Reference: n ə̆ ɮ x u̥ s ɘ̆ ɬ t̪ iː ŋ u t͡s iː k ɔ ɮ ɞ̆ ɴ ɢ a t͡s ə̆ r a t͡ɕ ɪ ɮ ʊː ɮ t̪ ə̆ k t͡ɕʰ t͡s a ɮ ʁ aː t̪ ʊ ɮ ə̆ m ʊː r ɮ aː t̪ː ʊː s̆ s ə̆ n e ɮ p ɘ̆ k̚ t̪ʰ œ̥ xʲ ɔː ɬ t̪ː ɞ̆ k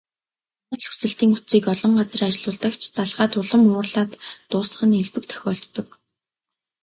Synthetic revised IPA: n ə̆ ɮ x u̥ s ɘ̆ ɬ t̪ iː ŋ u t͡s iː k ɔ ɮ ɞ̆ ɴ ɢ a t͡s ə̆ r a t͡ɕ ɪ ɮ ʊː ɮ t̪ ə̆ k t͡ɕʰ t͡s a ɮ ʁ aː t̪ ʊ ɮ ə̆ m ʊː r ɮ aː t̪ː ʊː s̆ χ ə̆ n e ɮ p ɘ̆ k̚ t̪ʰ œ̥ xʲ ɔː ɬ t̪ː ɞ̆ k